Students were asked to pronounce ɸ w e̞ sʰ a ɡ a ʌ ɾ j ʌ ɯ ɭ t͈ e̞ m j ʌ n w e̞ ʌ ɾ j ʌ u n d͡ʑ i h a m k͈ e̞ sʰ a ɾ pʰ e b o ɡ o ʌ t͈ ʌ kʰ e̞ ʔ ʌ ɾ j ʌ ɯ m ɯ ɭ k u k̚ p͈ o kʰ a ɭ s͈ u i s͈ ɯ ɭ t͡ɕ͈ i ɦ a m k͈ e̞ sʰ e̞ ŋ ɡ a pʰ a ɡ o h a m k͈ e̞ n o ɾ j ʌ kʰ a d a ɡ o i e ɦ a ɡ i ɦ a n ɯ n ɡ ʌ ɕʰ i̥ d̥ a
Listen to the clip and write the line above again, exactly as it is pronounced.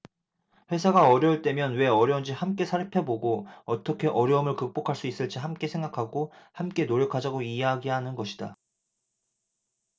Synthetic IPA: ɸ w e̞ sʰ a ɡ a ʌ ɾ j ʌ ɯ ɭ t͈ e̞ m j ʌ n w e̞ ʌ ɾ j ʌ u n d͡ʑ i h a m k͈ e̞ sʰ a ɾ pʰ e b o ɡ o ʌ t͈ ʌ kʰ e̞ ʔ ʌ ɾ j ʌ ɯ m ɯ ɭ k ɯ k̚ p͈ o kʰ a ɭ s͈ u i s͈ ɯ ɭ t͡ɕ͈ i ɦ a m k͈ e̞ sʰ e̞ ŋ ɡ a kʰ a ɡ o h a m k͈ e̞ n o ɾ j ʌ kʰ a d͡ʑ a ɡ o i e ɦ a ɡ i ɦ a n ɯ n ɡ ʌ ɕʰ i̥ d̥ a